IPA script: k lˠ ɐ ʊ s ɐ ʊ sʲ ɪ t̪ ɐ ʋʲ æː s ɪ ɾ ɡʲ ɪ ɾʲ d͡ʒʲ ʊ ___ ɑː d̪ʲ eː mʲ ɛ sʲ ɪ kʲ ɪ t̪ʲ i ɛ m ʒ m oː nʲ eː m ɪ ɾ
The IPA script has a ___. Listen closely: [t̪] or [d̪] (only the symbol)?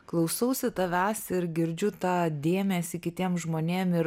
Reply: t̪